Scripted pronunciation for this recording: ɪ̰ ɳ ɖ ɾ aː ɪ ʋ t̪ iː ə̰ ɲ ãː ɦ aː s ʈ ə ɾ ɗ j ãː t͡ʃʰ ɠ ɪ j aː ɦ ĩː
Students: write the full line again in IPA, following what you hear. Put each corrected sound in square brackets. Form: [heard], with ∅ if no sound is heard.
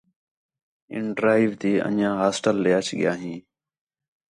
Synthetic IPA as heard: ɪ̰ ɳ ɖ ɾ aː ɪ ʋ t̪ iː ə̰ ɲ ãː ɦ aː s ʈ ə [l] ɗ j [aː] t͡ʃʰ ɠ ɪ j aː ɦ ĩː

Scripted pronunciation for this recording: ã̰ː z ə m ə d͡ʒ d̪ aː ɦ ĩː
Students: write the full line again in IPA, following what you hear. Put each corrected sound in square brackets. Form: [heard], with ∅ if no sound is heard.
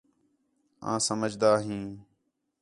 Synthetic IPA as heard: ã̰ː [s] ə m ə d͡ʒ d̪ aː ɦ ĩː

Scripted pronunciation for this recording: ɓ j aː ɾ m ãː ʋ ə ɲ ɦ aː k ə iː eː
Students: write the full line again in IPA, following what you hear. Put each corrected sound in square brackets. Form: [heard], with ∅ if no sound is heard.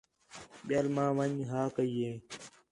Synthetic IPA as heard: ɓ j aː [l] m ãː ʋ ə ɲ ɦ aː k ə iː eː

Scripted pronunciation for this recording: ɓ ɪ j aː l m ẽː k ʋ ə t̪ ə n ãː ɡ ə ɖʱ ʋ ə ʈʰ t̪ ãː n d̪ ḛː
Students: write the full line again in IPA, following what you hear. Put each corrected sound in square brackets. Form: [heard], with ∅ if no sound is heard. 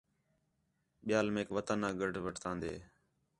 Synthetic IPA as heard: ɓ ɪ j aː l m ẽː k ʋ ə t̪ ə n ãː ɡ ə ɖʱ ʋ ə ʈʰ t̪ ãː n d̪ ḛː

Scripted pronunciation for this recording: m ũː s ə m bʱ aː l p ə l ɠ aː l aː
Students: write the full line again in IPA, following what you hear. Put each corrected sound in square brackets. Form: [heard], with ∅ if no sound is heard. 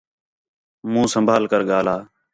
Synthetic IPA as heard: m ũː s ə m bʱ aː l [k] ə [ɾ] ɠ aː l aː

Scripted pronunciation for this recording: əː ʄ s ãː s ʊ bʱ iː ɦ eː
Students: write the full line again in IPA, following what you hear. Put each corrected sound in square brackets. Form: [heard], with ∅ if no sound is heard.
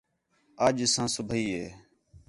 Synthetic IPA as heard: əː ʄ s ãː s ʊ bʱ iː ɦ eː

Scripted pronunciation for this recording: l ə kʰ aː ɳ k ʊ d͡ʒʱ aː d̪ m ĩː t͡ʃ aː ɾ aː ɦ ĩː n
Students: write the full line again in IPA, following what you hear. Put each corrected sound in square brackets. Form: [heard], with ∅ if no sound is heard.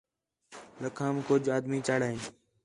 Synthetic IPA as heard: l ə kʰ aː [m] k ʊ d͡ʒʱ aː d̪ m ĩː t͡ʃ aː [ɽ] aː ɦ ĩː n

